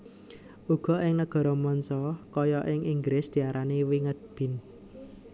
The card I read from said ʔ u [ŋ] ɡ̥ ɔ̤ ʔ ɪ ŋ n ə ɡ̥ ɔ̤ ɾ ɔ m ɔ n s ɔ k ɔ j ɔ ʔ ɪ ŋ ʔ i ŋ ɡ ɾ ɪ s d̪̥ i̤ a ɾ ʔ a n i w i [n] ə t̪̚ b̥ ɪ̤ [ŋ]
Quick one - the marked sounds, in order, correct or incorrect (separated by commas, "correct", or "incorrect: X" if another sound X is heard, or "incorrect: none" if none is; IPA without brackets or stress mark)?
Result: incorrect: none, incorrect: ŋ, incorrect: n